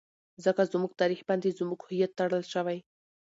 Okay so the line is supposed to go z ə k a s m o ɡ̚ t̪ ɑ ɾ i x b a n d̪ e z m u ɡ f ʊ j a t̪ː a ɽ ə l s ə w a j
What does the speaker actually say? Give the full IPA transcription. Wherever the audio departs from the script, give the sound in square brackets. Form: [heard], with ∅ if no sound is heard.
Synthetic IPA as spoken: z ə k a [z] m [u] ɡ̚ t̪ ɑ ɾ i x b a n d̪ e z m u ɡ [h] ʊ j a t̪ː a ɽ ə l [ʃ] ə w a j